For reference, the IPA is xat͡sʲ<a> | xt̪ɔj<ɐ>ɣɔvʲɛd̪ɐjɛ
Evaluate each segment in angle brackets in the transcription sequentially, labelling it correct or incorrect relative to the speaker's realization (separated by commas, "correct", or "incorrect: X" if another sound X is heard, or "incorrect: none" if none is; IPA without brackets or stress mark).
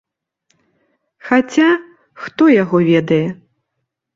correct, incorrect: a